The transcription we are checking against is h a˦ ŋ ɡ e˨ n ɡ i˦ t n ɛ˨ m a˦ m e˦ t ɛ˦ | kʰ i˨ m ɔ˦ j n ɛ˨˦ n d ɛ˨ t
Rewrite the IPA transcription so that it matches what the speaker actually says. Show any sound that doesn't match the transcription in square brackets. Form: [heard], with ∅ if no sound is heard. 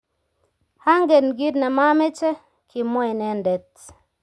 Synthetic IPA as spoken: h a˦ ŋ ɡ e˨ n ɡ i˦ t n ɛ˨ m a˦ m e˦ [t͡ʃ] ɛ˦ | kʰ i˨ m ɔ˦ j n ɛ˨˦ n d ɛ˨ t